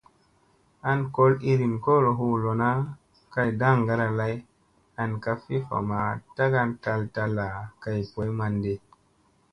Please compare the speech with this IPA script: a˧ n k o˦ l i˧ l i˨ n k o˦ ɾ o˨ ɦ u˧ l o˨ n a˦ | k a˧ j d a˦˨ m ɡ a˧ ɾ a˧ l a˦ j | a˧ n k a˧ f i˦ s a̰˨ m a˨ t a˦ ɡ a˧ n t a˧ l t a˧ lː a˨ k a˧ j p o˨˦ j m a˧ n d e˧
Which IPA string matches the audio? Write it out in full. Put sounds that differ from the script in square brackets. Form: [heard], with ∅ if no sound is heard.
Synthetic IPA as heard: a˧ n k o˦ l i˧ [ɾ] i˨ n k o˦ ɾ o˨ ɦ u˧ l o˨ n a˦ | k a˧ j d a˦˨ [ŋ] ɡ a˧ ɾ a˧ l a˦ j | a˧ n k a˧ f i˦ [f] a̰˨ m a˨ t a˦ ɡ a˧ n t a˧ l t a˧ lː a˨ k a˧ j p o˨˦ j m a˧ n d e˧